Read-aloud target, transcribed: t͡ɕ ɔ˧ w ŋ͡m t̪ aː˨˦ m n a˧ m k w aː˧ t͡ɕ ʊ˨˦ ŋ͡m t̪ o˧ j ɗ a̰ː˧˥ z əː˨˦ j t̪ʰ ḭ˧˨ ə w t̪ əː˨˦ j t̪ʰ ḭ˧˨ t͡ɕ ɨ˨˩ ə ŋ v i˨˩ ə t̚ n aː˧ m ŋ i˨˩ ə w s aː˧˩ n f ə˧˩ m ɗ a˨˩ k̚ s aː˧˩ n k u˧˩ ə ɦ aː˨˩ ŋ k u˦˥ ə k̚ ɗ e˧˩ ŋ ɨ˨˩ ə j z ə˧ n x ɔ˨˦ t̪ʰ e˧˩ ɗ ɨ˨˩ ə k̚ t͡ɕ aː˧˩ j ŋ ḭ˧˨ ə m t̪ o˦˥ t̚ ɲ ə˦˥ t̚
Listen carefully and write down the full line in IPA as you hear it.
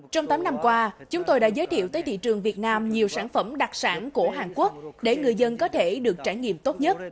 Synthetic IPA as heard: t͡ɕ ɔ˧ w ŋ͡m t̪ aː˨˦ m n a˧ m k w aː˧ t͡ɕ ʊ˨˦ ŋ͡m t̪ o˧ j ɗ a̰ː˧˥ z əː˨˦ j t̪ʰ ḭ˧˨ ə w t̪ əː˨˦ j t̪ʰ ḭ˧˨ t͡ɕ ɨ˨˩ ə ŋ v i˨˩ ə t̚ n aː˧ m ɲ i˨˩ ə w s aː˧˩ n f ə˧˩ m ɗ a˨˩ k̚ s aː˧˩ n k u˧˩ ə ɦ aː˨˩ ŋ k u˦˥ ə k̚ ɗ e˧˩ ŋ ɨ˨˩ ə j z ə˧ n k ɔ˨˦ t̪ʰ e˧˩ ɗ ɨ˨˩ ə k̚ t͡ɕ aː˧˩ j ŋ ḭ˧˨ ə m t̪ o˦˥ t̚ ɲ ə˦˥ t̚